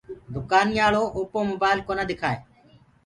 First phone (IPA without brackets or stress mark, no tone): d̪